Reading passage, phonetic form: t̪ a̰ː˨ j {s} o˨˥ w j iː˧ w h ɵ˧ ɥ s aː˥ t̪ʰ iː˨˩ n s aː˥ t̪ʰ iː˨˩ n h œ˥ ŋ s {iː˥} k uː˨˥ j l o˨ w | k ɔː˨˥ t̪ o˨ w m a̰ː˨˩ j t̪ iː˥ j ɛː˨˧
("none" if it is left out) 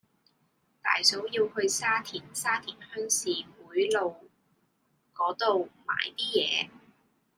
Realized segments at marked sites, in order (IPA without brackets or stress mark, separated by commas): s, iː˨